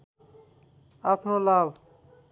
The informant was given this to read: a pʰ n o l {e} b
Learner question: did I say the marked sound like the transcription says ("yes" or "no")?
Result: no